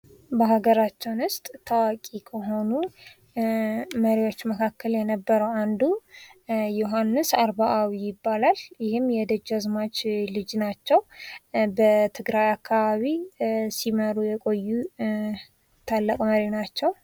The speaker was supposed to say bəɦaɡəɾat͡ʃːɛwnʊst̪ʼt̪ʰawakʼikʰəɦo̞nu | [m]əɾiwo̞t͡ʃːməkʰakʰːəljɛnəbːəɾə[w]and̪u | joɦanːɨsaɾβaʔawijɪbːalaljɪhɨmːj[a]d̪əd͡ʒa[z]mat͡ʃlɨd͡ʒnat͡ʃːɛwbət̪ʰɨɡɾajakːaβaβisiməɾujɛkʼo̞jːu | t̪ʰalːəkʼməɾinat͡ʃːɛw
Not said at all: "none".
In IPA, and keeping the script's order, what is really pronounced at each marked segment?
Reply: m, w, ɛ, z

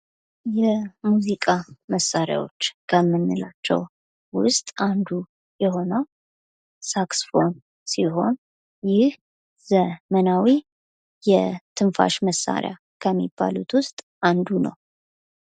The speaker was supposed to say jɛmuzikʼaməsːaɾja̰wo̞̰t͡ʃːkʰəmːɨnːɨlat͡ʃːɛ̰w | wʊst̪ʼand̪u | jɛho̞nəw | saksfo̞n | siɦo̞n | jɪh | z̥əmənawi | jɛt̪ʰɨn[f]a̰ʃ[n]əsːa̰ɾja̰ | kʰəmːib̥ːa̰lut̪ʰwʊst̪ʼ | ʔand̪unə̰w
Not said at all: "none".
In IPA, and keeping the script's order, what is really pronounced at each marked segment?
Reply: f, m

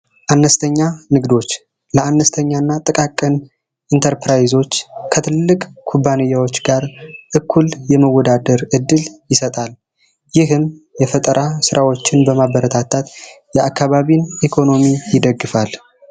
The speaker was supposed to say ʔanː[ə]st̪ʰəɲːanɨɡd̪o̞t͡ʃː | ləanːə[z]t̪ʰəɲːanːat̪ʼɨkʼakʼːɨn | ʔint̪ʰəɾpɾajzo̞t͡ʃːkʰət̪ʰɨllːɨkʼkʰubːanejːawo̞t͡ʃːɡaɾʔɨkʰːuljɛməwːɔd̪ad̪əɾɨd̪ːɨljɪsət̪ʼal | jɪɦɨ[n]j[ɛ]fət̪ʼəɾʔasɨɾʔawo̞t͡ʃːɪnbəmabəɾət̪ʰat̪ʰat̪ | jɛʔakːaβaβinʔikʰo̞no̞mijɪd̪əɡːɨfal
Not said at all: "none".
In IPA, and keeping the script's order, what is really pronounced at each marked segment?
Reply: ə, s, m, ɛ

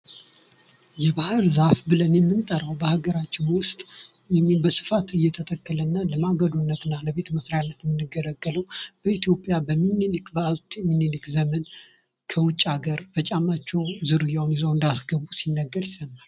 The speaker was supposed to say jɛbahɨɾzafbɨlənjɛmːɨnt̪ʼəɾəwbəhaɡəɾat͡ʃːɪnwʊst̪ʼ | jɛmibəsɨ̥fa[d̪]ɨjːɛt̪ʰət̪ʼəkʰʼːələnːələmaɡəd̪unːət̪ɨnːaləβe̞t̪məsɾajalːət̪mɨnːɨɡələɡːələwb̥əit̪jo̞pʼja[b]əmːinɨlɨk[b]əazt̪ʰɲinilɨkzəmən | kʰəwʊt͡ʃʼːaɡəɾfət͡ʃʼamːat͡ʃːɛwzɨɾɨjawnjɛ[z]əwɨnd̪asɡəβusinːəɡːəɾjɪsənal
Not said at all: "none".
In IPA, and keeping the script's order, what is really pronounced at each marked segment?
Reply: t̪, b, b, z

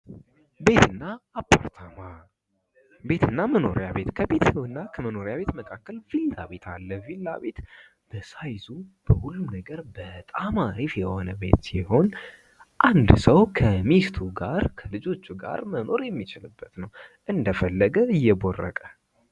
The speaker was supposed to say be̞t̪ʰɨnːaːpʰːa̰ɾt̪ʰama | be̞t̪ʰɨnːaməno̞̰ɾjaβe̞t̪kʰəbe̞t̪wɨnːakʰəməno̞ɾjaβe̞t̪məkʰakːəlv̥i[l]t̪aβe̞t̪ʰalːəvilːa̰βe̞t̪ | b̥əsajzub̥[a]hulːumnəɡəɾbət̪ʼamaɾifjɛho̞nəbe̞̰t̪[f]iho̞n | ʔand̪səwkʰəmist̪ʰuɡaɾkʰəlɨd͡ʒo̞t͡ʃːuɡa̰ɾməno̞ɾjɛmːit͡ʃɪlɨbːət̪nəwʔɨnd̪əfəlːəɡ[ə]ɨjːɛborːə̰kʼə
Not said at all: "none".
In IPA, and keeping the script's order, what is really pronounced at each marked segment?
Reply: l, ə, s, ə

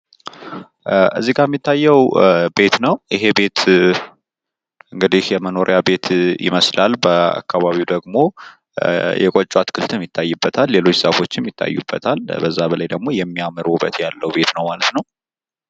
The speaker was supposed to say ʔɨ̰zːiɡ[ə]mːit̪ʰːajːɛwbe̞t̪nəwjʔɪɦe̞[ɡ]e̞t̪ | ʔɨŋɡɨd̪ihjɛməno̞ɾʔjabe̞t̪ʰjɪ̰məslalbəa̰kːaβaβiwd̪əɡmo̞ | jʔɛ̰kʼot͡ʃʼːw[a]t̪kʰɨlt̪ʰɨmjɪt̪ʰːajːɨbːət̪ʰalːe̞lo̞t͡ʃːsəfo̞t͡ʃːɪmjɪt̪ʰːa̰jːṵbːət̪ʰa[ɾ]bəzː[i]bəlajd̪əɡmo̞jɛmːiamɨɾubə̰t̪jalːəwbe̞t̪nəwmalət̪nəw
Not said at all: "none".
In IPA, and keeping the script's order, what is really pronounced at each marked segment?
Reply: a, b, a, l, a

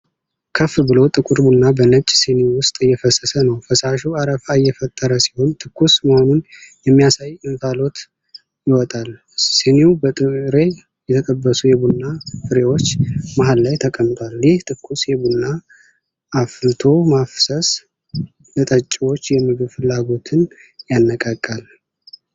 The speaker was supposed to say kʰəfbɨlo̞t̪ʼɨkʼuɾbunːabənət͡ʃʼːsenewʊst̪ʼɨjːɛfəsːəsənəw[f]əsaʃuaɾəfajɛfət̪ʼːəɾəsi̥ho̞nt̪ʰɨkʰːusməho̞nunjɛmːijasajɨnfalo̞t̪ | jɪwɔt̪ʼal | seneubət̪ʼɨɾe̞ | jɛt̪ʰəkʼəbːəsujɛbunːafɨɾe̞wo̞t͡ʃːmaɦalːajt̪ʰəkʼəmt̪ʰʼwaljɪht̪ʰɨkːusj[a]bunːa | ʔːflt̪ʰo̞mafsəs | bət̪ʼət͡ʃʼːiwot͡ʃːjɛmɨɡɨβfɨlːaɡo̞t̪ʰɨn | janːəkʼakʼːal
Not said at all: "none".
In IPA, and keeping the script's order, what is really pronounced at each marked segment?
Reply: f, ɛ

